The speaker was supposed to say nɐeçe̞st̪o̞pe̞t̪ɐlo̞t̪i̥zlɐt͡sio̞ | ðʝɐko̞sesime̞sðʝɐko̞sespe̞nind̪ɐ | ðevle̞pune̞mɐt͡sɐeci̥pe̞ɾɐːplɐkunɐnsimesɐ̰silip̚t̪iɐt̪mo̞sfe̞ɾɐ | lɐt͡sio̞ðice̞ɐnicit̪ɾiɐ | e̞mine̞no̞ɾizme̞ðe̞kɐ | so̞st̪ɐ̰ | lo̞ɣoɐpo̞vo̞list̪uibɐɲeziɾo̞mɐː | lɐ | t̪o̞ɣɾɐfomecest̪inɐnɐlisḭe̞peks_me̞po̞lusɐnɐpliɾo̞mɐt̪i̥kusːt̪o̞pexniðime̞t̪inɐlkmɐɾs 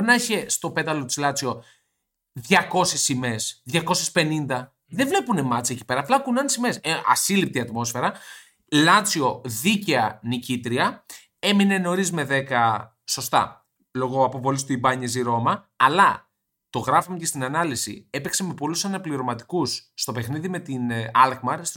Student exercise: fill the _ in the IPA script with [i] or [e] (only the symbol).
e